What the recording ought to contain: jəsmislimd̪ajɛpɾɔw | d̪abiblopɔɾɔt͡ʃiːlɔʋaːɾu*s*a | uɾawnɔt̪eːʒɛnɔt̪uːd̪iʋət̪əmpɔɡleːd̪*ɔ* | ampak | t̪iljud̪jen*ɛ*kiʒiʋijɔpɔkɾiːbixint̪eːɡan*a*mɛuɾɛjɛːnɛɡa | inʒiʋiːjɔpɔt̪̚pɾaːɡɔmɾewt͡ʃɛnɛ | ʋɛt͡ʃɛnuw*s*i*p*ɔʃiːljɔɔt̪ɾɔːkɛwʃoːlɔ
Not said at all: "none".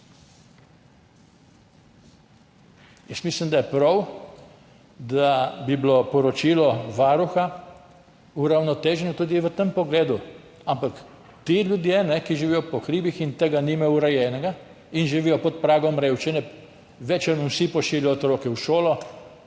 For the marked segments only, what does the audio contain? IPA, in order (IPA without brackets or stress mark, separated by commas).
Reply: x, u, ɛ, i, s, p